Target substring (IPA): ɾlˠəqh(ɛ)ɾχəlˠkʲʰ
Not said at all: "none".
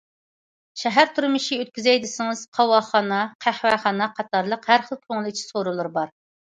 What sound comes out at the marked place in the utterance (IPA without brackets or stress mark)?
æ